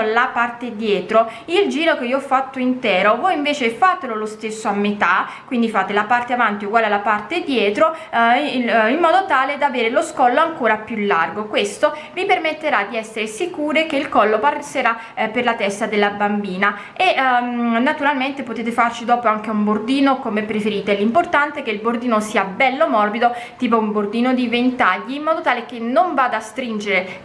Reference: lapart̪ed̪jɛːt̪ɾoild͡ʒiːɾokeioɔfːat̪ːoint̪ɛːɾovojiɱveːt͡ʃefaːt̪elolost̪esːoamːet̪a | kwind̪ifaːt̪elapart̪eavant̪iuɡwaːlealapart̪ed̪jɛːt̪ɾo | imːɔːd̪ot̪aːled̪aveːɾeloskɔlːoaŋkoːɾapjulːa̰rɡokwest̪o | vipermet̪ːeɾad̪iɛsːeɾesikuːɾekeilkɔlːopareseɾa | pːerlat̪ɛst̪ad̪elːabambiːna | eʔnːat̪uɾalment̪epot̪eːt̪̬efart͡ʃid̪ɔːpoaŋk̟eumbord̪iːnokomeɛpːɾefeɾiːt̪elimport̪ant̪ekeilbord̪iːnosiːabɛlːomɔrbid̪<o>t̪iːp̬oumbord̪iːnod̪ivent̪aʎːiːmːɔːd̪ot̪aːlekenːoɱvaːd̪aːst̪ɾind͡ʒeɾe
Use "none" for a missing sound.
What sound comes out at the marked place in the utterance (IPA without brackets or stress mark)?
o